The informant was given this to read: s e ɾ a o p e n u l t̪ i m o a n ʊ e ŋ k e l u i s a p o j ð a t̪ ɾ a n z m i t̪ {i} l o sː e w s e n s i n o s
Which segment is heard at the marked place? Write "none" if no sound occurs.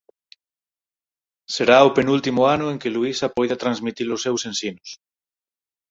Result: i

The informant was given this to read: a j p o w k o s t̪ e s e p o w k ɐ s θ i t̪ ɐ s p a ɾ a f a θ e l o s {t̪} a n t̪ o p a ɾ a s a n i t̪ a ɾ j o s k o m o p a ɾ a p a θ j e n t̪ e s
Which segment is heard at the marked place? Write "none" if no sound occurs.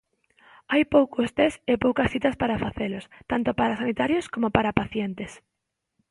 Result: t̪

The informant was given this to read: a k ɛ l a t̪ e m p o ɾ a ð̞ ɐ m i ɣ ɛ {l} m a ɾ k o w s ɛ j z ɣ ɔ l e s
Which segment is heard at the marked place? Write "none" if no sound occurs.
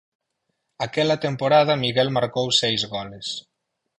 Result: l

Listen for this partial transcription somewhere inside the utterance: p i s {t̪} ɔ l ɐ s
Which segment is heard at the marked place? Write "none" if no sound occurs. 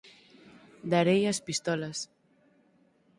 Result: t̪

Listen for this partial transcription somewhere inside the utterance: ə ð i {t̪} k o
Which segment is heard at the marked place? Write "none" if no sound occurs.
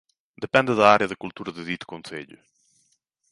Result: t̪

